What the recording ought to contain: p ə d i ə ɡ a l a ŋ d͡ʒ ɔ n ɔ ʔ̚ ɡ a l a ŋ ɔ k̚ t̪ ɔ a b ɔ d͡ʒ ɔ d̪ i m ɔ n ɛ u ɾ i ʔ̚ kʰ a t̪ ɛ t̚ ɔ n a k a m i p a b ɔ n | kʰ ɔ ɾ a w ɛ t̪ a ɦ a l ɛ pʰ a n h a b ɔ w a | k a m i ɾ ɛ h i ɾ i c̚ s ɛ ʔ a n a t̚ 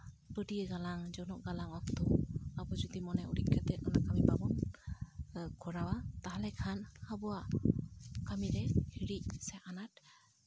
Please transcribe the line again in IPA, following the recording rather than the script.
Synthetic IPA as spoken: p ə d i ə ɡ a l a ŋ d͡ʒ ɔ n ɔ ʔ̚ ɡ a l a ŋ ɔ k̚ t̪ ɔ a b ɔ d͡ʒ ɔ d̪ i m ɔ n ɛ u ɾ i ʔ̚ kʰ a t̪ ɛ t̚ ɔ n a k a m i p a b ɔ n | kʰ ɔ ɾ a w a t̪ a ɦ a l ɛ kʰ a n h a b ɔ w a | k a m i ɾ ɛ h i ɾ i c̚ s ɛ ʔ a n a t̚